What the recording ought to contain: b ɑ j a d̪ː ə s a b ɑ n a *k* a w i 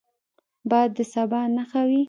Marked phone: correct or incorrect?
incorrect